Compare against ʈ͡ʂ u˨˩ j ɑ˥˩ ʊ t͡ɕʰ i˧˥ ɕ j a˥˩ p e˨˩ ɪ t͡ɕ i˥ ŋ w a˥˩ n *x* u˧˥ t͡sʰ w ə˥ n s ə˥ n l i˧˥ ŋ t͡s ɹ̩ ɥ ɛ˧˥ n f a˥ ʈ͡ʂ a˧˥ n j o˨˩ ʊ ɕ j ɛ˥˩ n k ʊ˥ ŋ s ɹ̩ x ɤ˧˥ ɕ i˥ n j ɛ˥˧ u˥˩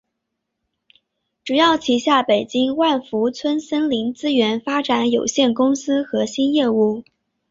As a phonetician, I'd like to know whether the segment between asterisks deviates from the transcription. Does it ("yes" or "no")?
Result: yes